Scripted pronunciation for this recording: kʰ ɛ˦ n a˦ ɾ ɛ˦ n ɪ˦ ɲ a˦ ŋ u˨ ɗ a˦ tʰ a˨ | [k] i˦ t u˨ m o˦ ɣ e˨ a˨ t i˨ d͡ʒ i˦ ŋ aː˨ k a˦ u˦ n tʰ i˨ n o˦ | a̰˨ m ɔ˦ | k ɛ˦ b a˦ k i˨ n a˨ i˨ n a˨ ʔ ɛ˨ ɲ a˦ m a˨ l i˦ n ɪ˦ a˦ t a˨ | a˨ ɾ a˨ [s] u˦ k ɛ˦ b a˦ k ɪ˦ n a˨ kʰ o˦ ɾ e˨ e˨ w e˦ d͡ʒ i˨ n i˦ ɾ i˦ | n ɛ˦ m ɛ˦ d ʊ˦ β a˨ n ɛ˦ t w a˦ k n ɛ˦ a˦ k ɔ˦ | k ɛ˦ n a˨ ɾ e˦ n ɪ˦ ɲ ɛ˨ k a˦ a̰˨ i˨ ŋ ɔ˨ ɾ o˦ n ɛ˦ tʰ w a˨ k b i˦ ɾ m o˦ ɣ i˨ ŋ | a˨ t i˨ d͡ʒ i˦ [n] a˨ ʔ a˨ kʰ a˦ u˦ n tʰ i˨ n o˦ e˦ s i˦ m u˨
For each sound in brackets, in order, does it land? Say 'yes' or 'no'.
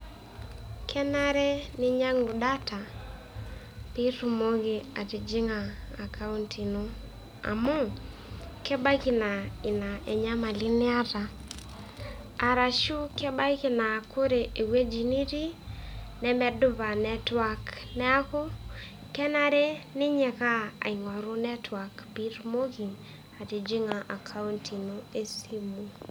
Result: no, no, no

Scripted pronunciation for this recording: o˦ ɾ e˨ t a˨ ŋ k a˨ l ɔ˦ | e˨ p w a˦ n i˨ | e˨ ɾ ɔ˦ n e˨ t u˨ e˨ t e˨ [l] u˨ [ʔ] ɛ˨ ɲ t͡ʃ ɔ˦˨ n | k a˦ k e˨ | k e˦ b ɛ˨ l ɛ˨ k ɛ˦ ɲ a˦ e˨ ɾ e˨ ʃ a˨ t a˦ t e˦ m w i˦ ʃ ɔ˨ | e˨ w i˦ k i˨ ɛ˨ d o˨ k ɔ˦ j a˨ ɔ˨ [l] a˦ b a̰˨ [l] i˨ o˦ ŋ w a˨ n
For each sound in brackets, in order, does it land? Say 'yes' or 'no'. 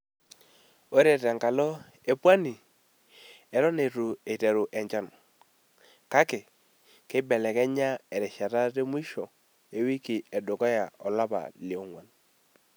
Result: no, yes, yes, yes

